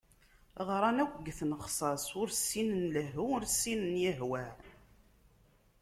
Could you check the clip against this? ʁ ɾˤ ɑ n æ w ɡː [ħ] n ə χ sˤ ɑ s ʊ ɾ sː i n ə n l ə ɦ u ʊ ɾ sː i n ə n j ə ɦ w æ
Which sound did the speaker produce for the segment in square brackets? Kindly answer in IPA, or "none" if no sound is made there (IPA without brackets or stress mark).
θ